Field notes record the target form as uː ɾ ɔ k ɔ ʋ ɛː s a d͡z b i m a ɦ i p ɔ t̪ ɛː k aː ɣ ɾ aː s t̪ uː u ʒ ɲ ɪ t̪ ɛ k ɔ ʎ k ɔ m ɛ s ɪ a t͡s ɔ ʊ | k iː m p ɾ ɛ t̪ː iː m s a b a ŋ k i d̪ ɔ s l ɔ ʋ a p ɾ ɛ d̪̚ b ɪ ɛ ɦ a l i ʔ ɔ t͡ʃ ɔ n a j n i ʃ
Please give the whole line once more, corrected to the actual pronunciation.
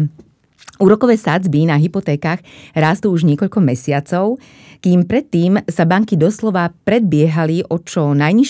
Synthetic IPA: uː ɾ ɔ k ɔ ʋ ɛː s a d͡z b i n a ɦ i p ɔ t̪ ɛː k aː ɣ ɾ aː s t̪ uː u ʒ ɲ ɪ ɛ k ɔ ʎ k ɔ m ɛ s ɪ a t͡s ɔ ʊ | k iː m p ɾ ɛ t̪ː iː m s a b a ŋ k i d̪ ɔ s l ɔ ʋ a p ɾ ɛ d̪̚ b ɪ ɛ ɦ a l i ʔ ɔ t͡ʃ ɔ n a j ɲ i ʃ